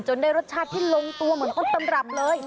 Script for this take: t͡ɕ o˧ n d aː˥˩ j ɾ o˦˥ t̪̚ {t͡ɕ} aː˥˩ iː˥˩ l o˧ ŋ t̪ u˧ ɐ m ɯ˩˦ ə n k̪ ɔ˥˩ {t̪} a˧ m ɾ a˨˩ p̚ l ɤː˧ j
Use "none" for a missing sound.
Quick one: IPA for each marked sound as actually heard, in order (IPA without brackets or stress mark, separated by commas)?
t͡ɕʰ, t̪